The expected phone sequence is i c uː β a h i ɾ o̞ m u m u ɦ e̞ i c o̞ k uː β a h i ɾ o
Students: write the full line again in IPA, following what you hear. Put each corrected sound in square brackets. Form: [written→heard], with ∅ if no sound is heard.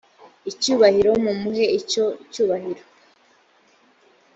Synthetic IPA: i c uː β a h i ɾ o̞ m u m u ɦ e̞ i c o̞ [k→c] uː β a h i ɾ o